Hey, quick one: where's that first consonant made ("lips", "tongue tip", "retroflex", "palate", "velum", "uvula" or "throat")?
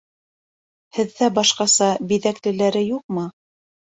throat